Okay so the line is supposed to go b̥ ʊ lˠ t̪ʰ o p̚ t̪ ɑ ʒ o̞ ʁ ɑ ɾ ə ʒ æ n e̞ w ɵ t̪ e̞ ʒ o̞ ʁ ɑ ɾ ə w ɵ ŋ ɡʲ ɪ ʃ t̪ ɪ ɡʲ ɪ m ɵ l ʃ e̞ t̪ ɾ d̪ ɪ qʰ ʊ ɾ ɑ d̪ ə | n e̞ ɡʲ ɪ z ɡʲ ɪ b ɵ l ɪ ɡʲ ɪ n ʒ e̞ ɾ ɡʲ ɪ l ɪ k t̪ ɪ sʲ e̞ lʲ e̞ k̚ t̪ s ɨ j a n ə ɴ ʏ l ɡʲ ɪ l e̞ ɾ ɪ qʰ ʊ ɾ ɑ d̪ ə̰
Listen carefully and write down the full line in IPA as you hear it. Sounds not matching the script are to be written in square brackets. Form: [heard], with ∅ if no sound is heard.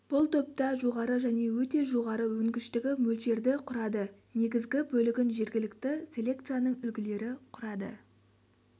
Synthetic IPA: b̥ ʊ lˠ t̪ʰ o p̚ t̪ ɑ ʒ o̞ ʁ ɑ ɾ ə ʒ æ n e̞ w ɵ t̪ e̞ ʒ o̞ ʁ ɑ ɾ ə w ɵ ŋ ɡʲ ɪ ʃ t̪ ɪ ɡʲ ɪ m ɵ l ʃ e̞ [∅] ɾ d̪ ɪ qʰ ʊ ɾ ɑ d̪ ə | n e̞ ɡʲ ɪ z ɡʲ ɪ b ɵ l ɪ ɡʲ ɪ n ʒ e̞ ɾ ɡʲ ɪ l ɪ k t̪ ɪ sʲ e̞ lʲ e̞ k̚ t̪ s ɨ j a n ə ɴ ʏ l ɡʲ ɪ l e̞ ɾ ɪ qʰ ʊ ɾ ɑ d̪ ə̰